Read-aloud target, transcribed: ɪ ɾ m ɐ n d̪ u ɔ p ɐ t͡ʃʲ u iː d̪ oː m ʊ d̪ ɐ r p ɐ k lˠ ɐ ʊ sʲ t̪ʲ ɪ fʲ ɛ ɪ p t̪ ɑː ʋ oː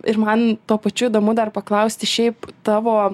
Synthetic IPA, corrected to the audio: ɪ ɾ m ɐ n t̪ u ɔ p ɐ t͡ʃʲ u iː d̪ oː m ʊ d̪ ɐ r p ɐ k lˠ ɐ ʊ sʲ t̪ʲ ɪ ʃʲ ɛ ɪ p t̪ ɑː ʋ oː